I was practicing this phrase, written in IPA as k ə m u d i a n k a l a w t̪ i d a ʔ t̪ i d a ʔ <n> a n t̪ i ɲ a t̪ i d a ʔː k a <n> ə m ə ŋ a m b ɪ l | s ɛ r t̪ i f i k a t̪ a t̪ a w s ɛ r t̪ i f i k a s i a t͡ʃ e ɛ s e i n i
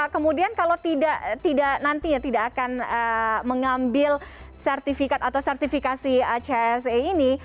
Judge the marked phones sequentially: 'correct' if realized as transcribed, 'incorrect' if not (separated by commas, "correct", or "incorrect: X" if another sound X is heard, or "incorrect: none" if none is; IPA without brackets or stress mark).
correct, correct